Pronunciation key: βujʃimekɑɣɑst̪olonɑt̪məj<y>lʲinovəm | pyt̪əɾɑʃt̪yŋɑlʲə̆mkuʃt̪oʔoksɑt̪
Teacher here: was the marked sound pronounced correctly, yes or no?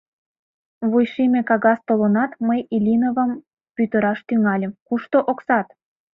no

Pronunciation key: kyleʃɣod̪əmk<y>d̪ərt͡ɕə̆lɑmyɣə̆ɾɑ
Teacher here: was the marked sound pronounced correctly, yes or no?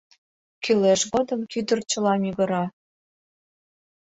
yes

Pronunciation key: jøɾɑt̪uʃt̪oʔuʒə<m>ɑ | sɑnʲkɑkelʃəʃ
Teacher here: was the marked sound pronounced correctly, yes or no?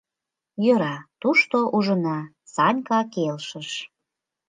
no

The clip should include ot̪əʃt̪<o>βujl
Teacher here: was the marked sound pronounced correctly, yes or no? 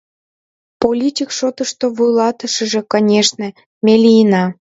yes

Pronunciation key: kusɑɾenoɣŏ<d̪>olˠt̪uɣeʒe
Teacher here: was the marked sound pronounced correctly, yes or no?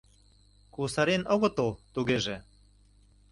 no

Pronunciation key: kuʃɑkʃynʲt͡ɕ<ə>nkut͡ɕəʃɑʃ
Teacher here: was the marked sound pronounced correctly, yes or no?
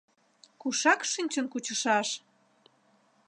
yes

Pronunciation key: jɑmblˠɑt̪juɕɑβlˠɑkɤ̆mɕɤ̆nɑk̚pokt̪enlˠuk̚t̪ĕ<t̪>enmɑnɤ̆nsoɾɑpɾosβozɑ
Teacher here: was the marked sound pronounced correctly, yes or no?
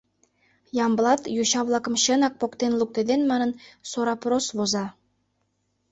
no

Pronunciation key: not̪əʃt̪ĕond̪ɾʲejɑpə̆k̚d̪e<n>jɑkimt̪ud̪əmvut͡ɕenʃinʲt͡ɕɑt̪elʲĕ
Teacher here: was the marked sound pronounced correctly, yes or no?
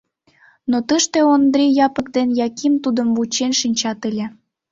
yes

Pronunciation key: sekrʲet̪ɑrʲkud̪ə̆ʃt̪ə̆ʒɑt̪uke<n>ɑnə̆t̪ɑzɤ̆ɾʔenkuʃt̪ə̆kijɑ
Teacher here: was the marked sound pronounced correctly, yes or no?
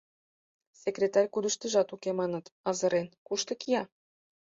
no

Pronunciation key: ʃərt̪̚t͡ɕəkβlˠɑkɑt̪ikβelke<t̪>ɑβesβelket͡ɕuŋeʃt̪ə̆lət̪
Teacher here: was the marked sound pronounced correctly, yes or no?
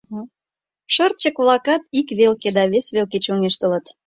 no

